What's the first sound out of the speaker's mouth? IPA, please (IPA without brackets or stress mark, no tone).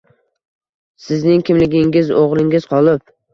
s